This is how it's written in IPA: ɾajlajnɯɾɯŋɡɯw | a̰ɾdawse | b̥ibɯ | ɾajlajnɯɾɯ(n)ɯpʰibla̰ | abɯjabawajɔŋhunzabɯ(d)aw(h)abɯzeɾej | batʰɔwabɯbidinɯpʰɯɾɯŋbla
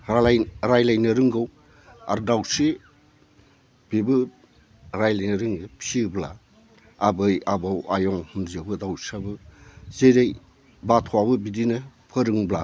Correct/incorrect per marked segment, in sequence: incorrect, correct, incorrect

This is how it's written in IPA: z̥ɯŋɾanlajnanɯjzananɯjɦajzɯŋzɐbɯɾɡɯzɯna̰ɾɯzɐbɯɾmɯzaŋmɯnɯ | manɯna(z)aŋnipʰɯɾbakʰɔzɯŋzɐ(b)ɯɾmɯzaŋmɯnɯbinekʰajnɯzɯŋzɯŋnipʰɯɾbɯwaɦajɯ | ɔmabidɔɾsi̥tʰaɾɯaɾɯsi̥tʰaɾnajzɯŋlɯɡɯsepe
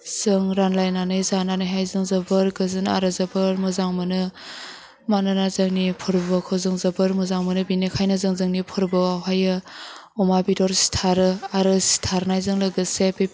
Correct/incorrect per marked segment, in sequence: correct, correct

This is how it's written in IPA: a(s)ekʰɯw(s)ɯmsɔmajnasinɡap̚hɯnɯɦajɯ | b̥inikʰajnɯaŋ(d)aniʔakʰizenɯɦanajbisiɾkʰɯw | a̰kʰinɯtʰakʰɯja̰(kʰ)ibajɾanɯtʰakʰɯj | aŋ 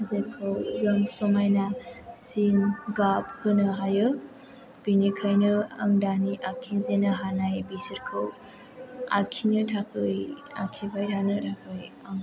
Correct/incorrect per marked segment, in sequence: incorrect, incorrect, correct, correct

